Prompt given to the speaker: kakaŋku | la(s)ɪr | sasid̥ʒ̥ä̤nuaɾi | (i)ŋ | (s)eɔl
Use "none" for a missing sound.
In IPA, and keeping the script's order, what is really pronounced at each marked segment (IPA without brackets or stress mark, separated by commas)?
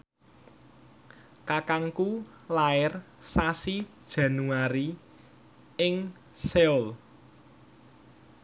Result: none, ɪ, s